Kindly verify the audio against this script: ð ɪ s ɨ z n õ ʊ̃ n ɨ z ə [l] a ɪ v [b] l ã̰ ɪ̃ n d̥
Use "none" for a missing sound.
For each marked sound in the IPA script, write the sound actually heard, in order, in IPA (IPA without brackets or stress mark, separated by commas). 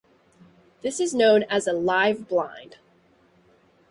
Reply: l, b